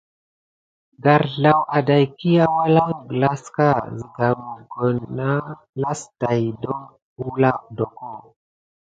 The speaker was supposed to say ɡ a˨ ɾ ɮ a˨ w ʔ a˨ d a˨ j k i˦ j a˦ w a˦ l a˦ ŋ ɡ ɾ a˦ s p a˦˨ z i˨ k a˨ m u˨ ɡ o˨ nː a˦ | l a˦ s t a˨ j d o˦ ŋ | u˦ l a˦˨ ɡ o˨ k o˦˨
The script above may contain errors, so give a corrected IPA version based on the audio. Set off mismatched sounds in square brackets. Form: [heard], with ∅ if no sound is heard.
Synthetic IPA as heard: ɡ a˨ ɾ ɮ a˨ w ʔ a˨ d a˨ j k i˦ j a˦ w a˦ l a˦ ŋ ɡ [l] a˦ s [k] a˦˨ z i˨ [ɡ] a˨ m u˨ ɡ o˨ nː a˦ | l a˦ s t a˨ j d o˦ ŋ | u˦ l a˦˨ [d] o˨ k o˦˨